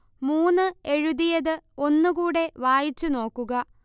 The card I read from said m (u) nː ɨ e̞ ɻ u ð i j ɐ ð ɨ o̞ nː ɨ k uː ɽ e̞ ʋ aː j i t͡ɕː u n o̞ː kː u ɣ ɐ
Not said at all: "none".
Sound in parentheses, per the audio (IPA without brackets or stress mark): uː